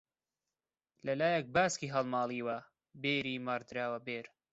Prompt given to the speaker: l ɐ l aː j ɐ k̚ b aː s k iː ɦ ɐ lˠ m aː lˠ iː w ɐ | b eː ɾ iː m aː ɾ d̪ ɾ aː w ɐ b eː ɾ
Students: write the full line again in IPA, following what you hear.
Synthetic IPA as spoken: l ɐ l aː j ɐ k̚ b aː s k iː ɦ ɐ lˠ m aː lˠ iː w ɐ | b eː ɾ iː m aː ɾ d̪ ɾ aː w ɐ b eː ɾ